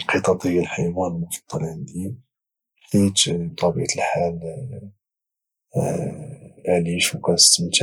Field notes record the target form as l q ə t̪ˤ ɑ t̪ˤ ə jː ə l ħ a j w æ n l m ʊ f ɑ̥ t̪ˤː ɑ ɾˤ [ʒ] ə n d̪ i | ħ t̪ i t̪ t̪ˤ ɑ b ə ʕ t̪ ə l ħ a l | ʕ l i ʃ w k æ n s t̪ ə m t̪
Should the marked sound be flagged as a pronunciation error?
yes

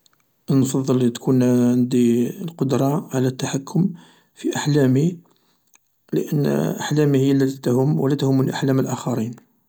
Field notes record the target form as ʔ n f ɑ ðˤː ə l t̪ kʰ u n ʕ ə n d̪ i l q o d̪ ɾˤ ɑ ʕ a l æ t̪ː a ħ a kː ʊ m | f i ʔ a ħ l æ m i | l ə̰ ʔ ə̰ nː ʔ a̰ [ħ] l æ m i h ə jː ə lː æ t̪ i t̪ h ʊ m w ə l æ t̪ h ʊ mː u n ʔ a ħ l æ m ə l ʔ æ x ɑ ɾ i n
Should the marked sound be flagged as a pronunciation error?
no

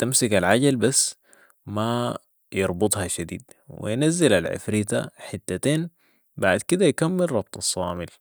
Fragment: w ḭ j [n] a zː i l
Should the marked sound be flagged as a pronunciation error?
no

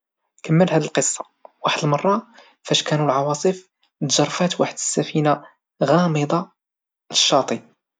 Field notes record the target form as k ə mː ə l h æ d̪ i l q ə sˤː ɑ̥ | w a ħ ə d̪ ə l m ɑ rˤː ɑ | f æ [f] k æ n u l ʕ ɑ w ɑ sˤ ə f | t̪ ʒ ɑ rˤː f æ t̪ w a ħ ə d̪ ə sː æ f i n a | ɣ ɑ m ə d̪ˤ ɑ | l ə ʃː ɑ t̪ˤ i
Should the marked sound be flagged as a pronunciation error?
yes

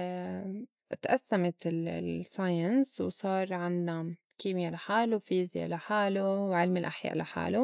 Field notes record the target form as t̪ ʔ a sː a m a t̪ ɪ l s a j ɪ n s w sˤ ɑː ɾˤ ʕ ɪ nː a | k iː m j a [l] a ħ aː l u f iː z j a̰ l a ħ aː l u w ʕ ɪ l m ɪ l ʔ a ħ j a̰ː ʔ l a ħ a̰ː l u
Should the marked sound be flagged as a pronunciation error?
no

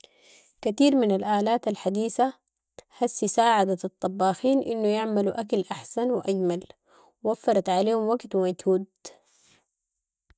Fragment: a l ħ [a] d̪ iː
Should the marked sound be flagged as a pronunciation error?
no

